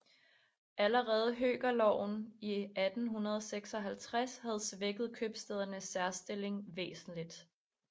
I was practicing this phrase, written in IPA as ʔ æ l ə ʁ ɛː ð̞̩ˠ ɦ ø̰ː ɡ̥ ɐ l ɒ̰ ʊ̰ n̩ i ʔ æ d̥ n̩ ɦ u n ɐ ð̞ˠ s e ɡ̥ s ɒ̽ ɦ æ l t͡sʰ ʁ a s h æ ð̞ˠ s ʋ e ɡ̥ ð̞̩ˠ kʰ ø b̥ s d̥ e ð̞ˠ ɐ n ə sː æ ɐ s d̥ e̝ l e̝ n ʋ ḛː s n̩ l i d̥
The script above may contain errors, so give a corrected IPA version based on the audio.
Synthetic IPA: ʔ æ l ə ʁ ɛː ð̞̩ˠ ɦ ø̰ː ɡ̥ ɐ l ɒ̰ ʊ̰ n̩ i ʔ æ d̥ n̩ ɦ u n ɐ ð̞ˠ s e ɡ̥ s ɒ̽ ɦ æ l t͡sʰ ʁ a s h æ ð̞ˠ s ʋ e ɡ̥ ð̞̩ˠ kʰ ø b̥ s d̥ e ð̞ˠ ɐ n ə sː æ ɐ s d̥ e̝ l e̝ ŋ ʋ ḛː s n̩ l i d̥